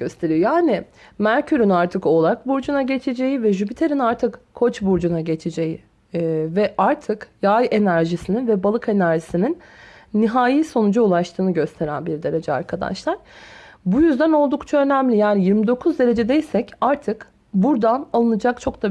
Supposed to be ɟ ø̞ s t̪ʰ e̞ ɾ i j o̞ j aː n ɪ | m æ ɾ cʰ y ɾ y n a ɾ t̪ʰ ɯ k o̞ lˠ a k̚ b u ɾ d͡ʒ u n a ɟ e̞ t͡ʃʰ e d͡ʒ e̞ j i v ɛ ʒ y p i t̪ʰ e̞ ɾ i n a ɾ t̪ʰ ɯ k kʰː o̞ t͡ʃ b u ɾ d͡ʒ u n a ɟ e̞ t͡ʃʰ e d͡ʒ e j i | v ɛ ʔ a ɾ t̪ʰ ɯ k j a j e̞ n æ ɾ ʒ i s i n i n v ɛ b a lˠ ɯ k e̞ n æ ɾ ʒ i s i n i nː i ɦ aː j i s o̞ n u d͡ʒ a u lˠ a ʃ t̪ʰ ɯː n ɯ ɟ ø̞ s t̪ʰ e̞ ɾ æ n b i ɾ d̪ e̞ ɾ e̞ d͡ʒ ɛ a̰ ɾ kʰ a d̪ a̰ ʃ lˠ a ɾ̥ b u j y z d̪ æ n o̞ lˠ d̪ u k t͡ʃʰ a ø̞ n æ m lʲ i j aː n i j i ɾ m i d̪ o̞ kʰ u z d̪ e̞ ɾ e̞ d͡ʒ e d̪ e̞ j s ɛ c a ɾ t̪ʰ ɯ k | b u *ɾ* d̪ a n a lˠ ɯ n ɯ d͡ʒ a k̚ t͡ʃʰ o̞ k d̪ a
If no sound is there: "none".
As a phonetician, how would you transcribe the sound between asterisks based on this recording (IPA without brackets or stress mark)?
ɾ